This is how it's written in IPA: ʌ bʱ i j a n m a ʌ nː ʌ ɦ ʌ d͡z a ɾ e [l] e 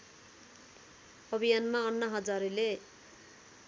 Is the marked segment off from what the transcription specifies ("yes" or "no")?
no